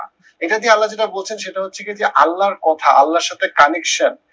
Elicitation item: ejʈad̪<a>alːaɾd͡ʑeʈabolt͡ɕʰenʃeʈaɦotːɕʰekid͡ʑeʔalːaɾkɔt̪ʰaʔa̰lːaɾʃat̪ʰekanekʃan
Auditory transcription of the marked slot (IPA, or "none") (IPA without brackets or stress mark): i